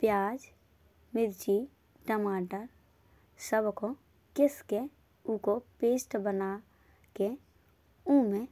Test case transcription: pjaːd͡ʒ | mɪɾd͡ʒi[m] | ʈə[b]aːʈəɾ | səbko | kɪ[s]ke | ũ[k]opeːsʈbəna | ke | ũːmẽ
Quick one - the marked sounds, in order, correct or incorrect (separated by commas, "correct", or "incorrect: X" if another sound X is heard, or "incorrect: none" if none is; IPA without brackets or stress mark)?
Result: incorrect: none, incorrect: m, correct, correct